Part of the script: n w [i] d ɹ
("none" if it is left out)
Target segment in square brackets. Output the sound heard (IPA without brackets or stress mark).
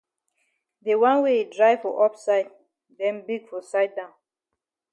e